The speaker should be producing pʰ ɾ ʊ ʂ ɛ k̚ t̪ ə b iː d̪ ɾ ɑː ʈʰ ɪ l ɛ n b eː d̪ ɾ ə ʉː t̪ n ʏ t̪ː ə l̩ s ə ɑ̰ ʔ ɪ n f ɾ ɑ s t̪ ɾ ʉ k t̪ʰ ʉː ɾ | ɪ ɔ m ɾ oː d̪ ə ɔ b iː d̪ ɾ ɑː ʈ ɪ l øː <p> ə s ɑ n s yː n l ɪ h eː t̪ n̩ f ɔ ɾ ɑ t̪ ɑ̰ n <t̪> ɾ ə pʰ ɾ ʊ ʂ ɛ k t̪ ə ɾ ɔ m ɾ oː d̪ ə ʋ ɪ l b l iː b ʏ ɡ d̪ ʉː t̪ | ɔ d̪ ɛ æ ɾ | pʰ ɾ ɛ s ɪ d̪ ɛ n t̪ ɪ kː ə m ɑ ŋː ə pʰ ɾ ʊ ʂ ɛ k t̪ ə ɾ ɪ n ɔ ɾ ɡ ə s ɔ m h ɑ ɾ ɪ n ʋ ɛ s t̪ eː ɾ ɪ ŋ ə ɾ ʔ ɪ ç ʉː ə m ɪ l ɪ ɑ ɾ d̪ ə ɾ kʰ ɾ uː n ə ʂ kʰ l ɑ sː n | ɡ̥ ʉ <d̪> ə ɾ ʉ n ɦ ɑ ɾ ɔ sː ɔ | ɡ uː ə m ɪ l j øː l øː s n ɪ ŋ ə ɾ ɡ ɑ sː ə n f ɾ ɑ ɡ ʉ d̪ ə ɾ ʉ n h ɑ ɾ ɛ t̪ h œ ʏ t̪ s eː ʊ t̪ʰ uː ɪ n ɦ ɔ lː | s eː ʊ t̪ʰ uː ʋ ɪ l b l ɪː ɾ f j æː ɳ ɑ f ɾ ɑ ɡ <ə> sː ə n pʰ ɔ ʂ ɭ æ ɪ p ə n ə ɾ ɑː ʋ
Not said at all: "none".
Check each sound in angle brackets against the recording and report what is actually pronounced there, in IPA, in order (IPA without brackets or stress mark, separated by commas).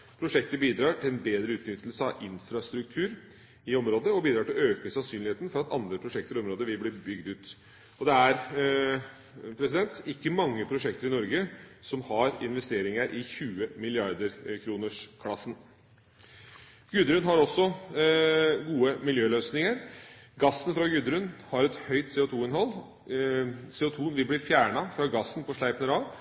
k, d̪, d̪, ɑ